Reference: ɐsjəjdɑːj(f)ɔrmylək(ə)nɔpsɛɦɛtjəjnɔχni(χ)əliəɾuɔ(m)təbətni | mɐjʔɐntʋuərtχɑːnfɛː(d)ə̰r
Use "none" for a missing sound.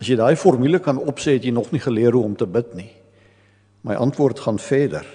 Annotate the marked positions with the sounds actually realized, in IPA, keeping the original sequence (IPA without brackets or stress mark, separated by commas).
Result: f, ɐ, χ, m, d